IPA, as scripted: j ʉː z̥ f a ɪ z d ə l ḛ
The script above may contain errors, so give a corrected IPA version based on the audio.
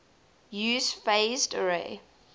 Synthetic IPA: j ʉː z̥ f e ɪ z d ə ɹ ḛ